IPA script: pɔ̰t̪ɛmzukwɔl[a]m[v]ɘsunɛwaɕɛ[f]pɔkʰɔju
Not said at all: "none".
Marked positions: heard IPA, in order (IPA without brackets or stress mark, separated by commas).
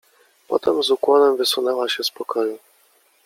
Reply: ɛ, v, s